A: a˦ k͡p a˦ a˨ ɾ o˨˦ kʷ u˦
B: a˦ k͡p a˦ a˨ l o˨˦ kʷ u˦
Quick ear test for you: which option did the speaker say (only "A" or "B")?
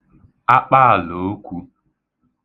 B